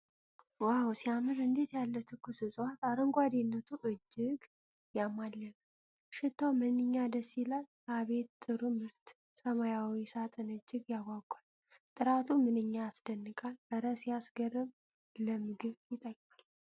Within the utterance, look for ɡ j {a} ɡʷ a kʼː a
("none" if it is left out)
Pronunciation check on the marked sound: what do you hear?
a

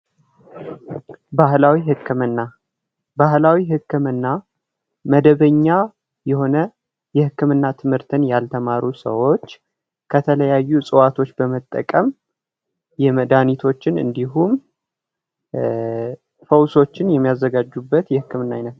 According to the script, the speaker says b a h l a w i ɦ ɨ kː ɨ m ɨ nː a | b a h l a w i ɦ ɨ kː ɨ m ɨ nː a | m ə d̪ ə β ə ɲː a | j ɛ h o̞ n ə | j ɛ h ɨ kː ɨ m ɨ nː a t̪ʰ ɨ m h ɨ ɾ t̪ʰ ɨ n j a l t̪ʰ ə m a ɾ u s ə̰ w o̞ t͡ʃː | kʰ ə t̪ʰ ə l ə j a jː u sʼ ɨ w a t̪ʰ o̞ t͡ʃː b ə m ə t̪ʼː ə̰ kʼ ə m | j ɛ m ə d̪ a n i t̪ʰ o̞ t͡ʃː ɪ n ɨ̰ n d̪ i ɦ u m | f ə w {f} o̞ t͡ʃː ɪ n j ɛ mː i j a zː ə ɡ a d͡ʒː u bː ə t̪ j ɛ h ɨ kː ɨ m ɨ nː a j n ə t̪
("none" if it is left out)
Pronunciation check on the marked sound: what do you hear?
s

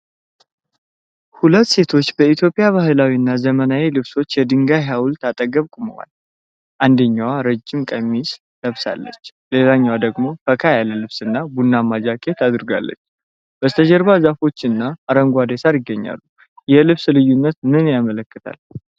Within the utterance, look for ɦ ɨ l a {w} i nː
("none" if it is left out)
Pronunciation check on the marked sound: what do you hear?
w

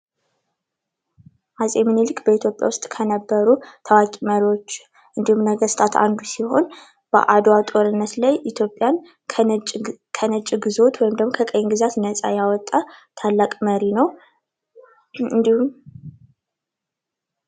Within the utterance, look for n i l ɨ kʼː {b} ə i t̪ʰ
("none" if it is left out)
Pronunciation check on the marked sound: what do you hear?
b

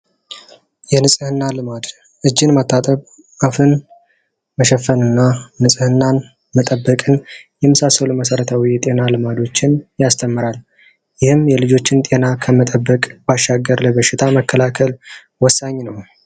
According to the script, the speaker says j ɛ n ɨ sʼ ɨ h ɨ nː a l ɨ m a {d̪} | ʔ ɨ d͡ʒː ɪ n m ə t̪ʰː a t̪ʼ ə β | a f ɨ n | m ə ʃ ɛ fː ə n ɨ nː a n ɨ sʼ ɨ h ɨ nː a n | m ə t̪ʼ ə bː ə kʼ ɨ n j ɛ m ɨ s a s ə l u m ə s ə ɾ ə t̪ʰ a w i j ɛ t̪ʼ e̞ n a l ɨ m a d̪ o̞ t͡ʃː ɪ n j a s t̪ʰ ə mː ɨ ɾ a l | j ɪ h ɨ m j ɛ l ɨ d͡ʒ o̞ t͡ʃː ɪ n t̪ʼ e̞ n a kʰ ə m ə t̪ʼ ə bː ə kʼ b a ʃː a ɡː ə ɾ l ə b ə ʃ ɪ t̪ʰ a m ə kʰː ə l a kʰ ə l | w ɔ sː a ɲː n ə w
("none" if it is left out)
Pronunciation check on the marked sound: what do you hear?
d̪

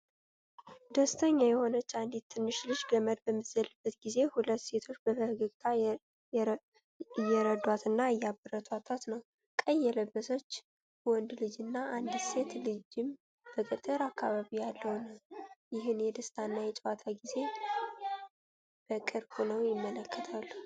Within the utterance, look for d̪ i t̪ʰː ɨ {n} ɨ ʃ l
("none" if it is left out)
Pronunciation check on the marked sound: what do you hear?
nː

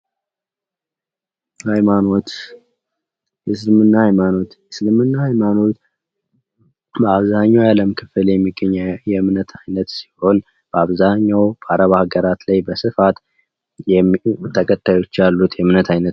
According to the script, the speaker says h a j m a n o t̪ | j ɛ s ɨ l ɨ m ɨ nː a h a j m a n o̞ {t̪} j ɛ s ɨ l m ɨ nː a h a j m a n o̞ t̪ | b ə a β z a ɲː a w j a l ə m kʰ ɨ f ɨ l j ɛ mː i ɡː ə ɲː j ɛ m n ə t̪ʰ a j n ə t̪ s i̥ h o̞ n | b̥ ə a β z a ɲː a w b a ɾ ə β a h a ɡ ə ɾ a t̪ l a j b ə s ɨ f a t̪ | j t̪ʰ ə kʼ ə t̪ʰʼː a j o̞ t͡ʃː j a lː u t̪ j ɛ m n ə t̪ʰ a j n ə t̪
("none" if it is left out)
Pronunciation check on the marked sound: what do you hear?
t̪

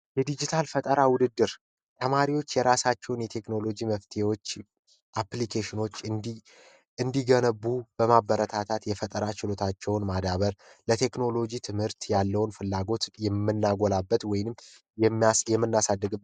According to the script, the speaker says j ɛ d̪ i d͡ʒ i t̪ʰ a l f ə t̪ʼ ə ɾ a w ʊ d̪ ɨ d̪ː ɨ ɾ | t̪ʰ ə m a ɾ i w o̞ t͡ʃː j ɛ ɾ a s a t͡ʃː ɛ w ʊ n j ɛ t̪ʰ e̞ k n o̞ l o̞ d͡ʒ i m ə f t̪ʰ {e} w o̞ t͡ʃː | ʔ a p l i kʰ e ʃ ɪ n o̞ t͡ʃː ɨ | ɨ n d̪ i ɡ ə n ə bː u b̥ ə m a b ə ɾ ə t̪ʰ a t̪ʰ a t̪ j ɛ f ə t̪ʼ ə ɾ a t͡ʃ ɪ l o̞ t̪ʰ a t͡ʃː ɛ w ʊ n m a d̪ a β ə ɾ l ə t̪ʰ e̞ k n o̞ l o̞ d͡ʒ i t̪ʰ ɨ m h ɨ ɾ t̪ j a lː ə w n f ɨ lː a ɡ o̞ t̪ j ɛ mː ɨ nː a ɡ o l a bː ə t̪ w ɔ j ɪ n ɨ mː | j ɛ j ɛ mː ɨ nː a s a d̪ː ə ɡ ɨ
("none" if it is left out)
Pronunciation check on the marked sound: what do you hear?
e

